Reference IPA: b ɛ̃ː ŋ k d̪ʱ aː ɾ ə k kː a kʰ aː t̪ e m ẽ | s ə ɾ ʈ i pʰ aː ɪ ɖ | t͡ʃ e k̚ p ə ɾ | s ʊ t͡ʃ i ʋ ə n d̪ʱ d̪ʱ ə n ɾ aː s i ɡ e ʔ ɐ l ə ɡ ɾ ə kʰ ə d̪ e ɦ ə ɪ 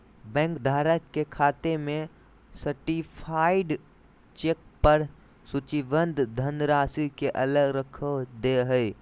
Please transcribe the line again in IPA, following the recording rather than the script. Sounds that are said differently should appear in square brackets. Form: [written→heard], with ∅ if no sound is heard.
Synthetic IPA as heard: b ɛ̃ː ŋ k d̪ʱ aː ɾ ə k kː [a→e] kʰ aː t̪ e m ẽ | s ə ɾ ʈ i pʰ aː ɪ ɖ | t͡ʃ e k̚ p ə ɾ | s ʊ t͡ʃ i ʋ ə n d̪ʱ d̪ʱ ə n ɾ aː s i [ɡ→k] e ʔ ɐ l ə ɡ ɾ ə kʰ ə d̪ e ɦ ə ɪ